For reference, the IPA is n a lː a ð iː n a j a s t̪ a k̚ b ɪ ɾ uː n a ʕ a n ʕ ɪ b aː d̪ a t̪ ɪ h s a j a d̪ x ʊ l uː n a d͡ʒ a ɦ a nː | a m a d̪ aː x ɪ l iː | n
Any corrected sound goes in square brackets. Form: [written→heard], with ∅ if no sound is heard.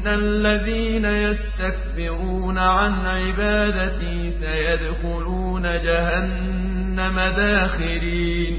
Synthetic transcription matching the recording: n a lː a ð iː n a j a s t̪ a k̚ b ɪ ɾ uː n a ʕ a n ʕ ɪ b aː d̪ a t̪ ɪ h s a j a d̪ x ʊ l uː n a d͡ʒ a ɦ a nː | a m a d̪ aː x ɪ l iː | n